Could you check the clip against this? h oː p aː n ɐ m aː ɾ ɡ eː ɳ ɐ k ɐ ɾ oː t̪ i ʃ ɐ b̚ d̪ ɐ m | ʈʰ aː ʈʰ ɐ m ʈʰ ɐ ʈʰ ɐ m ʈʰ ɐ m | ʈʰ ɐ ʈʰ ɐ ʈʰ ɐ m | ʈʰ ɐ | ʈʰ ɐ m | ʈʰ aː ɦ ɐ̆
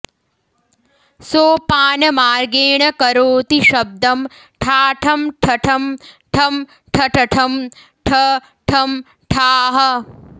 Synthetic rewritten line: s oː p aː n ɐ m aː ɾ ɡ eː ɳ ɐ k ɐ ɾ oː t̪ i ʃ ɐ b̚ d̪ ɐ m | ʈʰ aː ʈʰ ɐ m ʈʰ ɐ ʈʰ ɐ m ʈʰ ɐ m | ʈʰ ɐ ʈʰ ɐ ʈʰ ɐ m | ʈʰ ɐ | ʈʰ ɐ m | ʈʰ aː ɦ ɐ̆